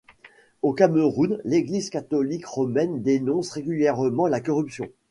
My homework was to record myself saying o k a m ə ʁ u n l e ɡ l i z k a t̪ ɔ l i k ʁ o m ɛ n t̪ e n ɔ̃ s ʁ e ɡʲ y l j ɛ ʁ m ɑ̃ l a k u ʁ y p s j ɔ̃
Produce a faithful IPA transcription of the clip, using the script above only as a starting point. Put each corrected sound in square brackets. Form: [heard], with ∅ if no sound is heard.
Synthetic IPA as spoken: o k a m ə ʁ u n l e ɡ l i z k a t̪ ɔ l i k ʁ [ɔ] m ɛ n [d̪] e n ɔ̃ s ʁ e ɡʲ y l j ɛ ʁ m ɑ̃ l a k [ɔ] ʁ y p s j ɔ̃